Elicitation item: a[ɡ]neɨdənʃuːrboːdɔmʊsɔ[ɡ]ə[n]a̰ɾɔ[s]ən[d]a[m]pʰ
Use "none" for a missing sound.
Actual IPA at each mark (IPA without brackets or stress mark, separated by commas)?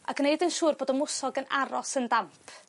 ɡ, ɡ, n, s, d, m